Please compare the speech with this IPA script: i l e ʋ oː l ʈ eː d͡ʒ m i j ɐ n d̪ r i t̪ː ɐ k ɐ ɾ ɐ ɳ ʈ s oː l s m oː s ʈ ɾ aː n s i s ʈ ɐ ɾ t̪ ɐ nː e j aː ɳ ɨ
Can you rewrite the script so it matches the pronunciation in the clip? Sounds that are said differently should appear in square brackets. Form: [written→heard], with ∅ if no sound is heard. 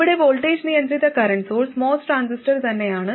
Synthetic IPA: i [l→ɽ] e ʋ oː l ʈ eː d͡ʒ [m→n] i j ɐ n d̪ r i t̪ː ɐ k ɐ ɾ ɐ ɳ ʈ s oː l s m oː s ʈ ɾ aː n s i s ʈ ɐ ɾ t̪ ɐ nː e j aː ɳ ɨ